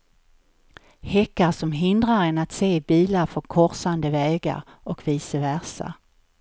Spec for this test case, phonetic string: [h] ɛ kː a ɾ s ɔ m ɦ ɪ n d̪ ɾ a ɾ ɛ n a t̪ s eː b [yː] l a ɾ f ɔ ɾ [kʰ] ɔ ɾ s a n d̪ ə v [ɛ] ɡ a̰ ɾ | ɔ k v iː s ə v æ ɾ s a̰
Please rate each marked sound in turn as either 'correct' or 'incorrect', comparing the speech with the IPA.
correct, incorrect, correct, incorrect

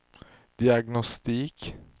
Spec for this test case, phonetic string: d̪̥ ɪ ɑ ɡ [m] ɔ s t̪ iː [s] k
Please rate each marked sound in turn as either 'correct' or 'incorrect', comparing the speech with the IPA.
incorrect, incorrect

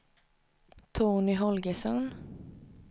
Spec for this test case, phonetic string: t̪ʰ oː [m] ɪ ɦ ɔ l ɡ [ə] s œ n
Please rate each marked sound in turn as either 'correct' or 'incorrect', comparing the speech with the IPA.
incorrect, correct

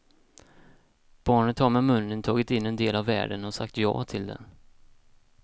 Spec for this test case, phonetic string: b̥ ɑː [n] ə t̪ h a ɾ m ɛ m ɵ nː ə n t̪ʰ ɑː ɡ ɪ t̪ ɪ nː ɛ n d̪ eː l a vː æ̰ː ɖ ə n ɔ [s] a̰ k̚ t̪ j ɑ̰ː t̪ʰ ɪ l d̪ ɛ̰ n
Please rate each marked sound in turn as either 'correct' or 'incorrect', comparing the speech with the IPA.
incorrect, correct

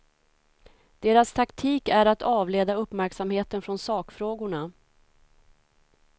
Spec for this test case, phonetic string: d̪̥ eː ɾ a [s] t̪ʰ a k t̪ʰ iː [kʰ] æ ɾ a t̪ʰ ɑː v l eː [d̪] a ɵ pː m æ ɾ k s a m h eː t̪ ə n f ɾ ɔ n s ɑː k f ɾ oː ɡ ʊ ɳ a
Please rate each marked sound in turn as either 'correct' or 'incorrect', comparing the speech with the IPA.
correct, incorrect, correct

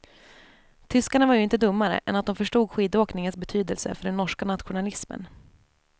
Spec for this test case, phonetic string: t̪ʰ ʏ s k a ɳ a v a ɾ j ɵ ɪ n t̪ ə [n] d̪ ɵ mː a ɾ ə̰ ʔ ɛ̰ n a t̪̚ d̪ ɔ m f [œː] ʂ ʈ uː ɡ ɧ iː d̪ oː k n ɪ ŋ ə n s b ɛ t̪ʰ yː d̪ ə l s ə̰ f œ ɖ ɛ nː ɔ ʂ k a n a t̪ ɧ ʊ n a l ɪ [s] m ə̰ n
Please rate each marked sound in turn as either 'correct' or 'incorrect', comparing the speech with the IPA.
incorrect, incorrect, correct

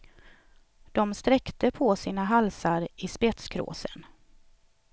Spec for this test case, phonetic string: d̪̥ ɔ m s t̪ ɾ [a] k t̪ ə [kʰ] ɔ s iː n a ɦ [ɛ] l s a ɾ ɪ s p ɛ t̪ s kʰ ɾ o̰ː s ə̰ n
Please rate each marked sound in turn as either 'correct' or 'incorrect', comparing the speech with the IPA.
incorrect, incorrect, incorrect

